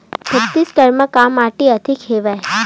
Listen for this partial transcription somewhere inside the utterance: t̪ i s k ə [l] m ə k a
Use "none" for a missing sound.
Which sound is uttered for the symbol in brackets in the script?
ɾ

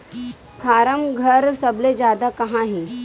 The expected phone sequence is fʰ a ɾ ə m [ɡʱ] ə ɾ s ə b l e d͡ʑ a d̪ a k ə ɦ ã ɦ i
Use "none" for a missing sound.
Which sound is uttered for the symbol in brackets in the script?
ɡʱ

